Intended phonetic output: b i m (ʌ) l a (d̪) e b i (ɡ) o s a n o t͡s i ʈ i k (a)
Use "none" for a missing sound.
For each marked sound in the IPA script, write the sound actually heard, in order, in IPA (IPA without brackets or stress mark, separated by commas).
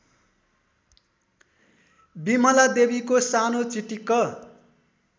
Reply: ʌ, d̪, k, ʌ